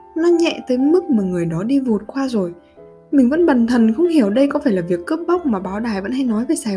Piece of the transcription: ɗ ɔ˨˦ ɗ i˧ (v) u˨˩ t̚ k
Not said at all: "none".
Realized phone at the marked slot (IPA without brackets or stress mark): v